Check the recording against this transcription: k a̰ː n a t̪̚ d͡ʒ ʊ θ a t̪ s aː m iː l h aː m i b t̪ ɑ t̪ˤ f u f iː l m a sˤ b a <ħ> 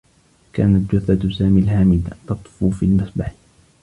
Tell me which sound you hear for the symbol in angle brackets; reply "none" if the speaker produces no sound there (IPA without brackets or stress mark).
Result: ħ